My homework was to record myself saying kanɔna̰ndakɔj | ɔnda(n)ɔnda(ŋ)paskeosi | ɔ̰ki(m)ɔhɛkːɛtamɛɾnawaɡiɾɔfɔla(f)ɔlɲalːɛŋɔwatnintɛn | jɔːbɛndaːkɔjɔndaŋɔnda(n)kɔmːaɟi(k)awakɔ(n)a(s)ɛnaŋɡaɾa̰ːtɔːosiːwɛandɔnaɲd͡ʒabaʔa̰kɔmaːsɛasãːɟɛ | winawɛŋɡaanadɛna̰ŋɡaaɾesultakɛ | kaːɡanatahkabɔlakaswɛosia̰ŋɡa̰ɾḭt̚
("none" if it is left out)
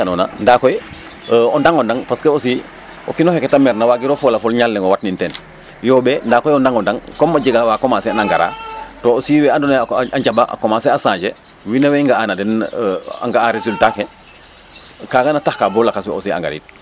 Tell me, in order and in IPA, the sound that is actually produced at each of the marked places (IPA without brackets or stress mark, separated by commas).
ŋ, ŋ, n, f, ŋ, ɡ, m, s